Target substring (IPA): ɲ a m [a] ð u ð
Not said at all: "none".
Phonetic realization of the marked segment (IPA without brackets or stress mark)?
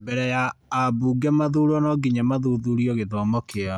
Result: a